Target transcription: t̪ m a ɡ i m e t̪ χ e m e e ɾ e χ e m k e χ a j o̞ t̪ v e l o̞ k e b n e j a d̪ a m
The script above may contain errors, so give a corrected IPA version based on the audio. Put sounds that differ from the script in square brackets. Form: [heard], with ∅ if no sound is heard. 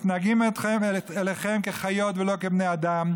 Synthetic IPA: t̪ [n] a ɡ i m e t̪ χ e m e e [l] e χ e m k e χ a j o̞ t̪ v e l o̞ k e b n e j a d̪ a m